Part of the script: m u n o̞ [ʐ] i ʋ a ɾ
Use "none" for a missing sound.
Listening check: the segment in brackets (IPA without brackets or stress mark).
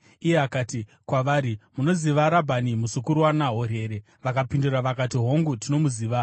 z